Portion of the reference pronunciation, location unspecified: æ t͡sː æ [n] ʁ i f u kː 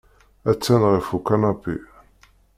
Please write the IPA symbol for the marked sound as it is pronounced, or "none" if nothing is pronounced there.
n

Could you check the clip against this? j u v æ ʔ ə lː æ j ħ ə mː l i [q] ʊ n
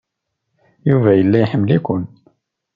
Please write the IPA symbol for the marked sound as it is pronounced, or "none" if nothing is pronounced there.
k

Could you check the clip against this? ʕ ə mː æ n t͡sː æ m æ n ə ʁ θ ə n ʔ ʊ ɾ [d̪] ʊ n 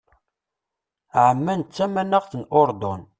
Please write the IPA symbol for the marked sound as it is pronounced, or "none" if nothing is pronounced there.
d̪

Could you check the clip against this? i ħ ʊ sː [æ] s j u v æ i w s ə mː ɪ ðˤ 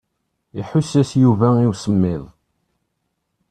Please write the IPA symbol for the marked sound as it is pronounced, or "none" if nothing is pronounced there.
æ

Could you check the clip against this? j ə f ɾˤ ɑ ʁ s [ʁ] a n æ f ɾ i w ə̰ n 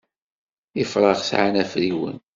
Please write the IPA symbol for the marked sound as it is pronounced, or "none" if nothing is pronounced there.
ʕ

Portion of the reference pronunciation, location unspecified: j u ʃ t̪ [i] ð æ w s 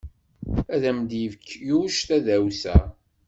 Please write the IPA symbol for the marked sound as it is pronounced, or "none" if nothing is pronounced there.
æ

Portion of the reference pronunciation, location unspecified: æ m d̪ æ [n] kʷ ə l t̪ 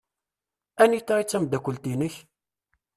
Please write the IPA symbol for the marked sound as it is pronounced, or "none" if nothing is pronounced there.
none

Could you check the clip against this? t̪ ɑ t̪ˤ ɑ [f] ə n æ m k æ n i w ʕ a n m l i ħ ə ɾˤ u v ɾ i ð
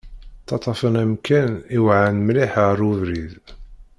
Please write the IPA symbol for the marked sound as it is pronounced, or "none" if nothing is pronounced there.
f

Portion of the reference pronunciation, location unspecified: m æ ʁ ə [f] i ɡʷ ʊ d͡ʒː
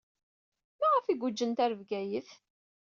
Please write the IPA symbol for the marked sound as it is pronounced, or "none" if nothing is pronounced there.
f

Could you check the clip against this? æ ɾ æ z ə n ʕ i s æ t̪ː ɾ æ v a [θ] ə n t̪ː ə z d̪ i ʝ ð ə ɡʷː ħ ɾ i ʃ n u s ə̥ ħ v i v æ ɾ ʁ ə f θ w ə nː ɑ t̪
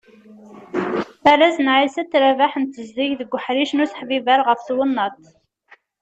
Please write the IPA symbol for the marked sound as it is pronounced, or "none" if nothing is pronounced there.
ħ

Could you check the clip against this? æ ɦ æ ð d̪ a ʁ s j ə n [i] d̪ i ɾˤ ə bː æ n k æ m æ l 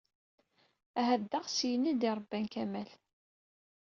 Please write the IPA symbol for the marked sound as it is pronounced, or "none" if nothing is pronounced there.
i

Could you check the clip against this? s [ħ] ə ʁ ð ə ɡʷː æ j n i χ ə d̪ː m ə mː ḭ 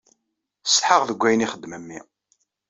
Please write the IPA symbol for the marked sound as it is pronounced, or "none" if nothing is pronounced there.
ħ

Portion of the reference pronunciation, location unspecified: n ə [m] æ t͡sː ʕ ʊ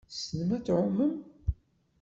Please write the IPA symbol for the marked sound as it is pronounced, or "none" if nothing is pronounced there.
m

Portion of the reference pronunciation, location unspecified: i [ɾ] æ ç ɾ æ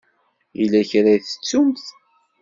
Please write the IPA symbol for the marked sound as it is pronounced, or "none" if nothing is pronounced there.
l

